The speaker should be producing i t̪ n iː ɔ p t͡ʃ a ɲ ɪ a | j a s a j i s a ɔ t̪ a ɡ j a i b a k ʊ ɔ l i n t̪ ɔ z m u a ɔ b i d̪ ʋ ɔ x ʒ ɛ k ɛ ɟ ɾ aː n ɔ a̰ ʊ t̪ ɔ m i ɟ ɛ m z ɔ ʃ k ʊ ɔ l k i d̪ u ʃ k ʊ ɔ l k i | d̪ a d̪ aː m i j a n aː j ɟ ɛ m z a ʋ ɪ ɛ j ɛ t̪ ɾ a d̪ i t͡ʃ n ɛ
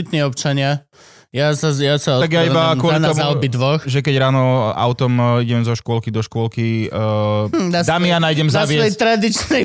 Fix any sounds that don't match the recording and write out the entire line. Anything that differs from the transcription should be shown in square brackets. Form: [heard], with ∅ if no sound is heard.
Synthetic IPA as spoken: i t̪ n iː ɔ p t͡ʃ a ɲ ɪ a | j a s a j [a] s a ɔ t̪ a ɡ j a i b a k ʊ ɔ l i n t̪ ɔ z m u a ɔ b i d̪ ʋ ɔ x ʒ ɛ k ɛ ɟ ɾ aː n ɔ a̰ ʊ t̪ ɔ m i ɟ ɛ m z ɔ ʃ k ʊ ɔ l k i d̪ [ɔ] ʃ k ʊ ɔ l k i | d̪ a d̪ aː m i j a n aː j ɟ ɛ m z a ʋ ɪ ɛ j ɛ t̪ ɾ a d̪ i t͡ʃ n ɛ